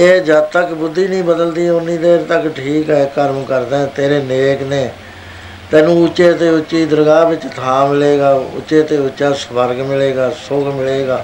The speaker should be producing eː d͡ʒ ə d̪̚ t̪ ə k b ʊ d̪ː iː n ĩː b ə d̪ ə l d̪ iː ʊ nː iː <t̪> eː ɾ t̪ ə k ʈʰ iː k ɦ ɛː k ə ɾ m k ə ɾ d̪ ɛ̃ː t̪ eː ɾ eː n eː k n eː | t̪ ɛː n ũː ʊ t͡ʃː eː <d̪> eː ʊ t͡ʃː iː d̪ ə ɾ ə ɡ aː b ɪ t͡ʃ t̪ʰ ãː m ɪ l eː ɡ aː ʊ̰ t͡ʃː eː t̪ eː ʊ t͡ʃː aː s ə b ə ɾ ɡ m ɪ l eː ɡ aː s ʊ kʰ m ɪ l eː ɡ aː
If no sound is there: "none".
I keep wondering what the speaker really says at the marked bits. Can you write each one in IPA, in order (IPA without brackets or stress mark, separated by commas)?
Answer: d̪, t̪